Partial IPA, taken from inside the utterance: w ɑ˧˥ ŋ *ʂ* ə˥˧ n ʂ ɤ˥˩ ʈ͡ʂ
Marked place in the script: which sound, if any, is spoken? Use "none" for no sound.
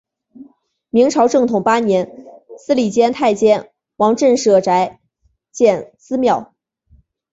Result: ʈ͡ʂ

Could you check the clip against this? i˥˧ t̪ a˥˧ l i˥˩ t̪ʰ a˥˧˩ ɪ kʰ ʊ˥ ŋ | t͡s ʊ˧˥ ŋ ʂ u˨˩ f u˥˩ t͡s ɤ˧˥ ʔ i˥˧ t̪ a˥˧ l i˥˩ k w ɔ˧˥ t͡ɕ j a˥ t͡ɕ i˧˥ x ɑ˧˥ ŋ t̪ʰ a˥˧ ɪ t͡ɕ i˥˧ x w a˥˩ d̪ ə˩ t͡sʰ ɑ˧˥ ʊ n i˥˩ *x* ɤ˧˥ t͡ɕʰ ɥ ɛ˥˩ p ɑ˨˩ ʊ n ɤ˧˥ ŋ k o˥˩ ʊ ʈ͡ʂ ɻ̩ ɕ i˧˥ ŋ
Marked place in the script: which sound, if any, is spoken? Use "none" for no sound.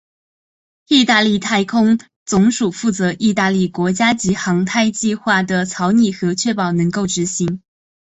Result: x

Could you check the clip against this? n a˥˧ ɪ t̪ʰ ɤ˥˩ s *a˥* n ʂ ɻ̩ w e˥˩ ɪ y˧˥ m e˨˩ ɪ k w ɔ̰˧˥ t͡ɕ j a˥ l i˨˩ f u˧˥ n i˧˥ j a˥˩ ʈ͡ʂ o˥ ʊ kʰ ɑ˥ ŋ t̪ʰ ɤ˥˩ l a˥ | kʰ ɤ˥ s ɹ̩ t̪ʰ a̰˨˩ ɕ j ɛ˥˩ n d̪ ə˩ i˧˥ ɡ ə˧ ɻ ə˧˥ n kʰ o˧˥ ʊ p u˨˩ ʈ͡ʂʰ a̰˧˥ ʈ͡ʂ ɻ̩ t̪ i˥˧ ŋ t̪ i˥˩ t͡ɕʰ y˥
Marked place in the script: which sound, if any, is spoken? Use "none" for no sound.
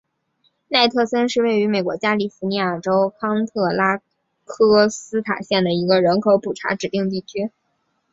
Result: ə˥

